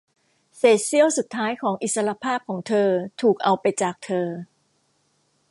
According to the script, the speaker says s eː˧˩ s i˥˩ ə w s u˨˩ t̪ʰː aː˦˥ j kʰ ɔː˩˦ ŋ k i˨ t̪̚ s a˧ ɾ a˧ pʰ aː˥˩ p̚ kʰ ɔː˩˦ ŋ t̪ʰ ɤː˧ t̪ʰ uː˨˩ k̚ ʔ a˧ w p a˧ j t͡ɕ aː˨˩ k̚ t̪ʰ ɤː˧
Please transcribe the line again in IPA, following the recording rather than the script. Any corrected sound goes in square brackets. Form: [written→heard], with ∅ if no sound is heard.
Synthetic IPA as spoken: s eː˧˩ s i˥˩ ə w s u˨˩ t̪ʰː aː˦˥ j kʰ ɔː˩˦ ŋ [k→ʔ] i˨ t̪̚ s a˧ ɾ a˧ pʰ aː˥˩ p̚ kʰ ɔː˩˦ ŋ t̪ʰ ɤː˧ t̪ʰ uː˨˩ k̚ ʔ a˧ w p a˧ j t͡ɕ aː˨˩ k̚ t̪ʰ ɤː˧